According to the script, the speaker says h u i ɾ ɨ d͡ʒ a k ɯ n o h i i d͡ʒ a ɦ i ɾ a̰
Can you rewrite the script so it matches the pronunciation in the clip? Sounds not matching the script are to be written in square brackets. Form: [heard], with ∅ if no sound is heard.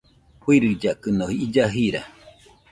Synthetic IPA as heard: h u i ɾ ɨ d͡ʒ a k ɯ n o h i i d͡ʒ a ɦ i ɾ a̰